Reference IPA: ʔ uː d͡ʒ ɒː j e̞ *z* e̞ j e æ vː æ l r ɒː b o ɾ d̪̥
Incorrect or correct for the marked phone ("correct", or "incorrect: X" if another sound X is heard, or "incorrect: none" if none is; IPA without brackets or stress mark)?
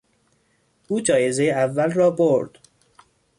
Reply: correct